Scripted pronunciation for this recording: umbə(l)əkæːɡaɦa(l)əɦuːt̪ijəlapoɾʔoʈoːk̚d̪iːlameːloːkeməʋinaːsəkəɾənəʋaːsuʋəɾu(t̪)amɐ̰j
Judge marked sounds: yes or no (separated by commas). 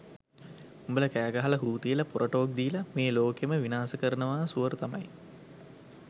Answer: yes, yes, yes